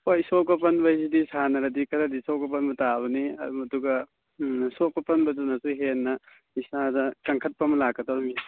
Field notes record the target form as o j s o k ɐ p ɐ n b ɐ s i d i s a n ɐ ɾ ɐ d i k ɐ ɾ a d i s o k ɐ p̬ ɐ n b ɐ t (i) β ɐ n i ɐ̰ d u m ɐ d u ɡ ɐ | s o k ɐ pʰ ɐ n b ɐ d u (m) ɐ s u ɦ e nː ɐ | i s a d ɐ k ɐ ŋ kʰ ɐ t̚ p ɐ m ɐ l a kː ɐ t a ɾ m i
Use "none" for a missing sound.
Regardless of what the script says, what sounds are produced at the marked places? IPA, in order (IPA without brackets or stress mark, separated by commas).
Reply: a, n